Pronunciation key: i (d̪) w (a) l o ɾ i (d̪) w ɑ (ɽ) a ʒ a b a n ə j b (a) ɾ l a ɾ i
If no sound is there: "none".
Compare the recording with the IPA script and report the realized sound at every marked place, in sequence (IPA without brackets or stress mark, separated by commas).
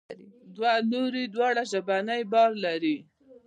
d̪, a, d̪, ɽ, ɑ